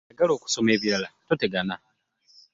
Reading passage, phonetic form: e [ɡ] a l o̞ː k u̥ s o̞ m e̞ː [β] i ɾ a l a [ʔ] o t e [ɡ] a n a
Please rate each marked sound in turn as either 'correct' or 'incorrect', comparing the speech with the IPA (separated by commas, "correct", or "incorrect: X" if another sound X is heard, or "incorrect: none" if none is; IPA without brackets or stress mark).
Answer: correct, correct, incorrect: t, correct